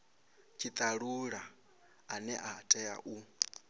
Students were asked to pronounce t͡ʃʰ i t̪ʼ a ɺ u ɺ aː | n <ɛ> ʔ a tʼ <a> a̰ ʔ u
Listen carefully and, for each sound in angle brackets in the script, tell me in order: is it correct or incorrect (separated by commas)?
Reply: correct, incorrect